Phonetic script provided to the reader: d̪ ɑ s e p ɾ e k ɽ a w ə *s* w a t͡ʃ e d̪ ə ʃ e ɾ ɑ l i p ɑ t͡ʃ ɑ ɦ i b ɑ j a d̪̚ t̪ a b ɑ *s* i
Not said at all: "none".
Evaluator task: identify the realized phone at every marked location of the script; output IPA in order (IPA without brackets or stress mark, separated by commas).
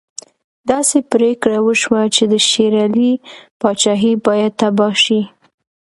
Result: ʃ, ʃ